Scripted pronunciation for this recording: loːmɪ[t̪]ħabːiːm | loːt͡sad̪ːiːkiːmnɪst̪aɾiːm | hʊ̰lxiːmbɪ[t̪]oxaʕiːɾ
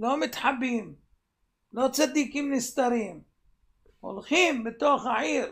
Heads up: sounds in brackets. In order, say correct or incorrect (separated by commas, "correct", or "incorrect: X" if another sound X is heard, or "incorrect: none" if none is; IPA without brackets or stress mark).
correct, correct